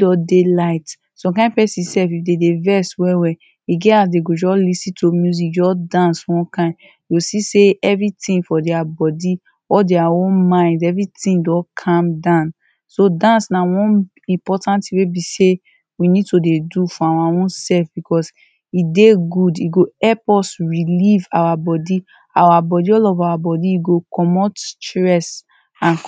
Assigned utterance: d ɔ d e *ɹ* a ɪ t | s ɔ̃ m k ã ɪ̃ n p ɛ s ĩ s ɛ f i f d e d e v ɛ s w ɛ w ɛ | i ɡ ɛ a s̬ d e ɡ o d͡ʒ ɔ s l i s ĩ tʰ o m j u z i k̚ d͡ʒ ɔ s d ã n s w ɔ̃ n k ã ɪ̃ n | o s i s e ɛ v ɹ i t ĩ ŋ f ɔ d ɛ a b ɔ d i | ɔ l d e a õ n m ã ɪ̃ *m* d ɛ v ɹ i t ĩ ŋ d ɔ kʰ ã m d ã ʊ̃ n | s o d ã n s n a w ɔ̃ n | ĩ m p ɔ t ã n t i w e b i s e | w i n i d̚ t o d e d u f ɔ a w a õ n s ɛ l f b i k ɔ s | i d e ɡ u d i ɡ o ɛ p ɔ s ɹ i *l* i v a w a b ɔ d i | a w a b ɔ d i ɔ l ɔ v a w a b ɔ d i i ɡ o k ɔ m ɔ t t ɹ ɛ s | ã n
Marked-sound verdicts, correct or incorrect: incorrect, incorrect, correct

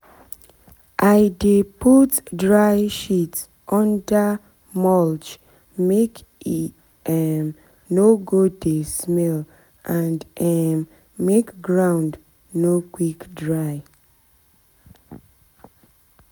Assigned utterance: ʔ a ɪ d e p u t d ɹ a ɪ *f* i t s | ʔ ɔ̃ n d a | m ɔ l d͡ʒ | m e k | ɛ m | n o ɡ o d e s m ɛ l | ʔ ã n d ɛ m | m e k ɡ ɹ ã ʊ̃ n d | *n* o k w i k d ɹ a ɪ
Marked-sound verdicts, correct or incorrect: incorrect, correct

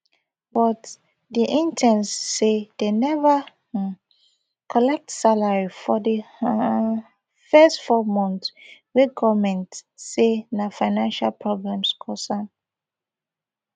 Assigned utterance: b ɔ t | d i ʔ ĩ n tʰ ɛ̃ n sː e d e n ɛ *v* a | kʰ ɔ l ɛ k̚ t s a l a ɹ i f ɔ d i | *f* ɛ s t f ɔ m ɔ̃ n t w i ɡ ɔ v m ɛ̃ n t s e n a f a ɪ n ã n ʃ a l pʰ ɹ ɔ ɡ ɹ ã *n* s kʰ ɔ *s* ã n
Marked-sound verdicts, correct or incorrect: correct, correct, incorrect, correct

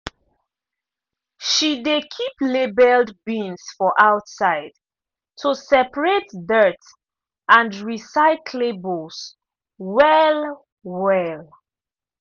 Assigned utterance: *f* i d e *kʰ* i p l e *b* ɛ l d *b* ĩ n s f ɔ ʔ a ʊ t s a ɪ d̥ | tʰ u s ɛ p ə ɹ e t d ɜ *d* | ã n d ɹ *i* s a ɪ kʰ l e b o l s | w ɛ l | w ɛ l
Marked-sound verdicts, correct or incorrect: incorrect, correct, correct, correct, incorrect, correct

